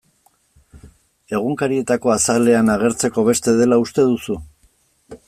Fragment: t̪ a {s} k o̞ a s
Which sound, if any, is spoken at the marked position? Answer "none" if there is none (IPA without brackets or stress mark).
none